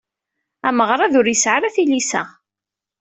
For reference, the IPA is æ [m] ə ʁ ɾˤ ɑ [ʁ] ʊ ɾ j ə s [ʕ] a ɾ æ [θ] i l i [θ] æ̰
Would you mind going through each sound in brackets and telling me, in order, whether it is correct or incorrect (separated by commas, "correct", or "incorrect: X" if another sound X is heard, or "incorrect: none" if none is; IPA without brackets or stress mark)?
correct, incorrect: ð, correct, correct, incorrect: s